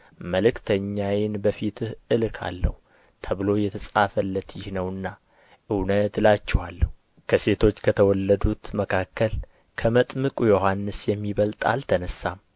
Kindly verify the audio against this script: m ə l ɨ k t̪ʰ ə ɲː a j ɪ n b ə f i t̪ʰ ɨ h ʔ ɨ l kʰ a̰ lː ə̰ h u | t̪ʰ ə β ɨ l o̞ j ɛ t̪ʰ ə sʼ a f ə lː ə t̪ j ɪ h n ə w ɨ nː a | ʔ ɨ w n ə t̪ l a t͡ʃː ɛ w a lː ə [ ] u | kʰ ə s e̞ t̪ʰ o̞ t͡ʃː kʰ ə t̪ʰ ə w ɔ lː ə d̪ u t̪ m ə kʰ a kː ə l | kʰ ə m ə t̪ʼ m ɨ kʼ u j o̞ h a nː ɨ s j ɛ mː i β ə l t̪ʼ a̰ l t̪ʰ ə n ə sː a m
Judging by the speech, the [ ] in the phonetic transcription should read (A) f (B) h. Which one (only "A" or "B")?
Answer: B